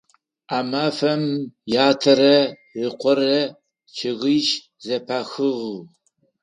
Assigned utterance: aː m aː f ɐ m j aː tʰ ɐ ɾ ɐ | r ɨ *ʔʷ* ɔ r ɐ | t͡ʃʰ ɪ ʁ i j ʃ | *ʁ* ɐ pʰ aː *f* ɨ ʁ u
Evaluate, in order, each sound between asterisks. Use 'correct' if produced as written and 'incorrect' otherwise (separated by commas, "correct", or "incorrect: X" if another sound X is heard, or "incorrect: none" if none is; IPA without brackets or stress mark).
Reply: incorrect: qʷ, incorrect: z, incorrect: x